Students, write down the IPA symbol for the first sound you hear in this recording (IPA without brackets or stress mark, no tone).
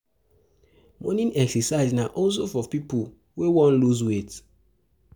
m